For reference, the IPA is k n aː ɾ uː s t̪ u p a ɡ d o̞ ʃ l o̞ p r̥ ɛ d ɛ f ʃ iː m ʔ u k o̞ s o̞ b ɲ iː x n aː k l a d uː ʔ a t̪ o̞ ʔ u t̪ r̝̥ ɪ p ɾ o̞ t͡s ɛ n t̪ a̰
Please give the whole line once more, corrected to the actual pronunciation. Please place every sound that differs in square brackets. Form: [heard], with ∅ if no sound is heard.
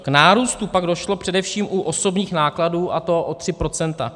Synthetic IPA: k n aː ɾ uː s t̪ u p a ɡ d o̞ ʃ l o̞ p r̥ ɛ d ɛ f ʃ iː m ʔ u [ʔ] o̞ s o̞ b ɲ iː x n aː k l a d uː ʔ a t̪ o̞ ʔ [o] t̪ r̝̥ ɪ p ɾ o̞ t͡s ɛ n t̪ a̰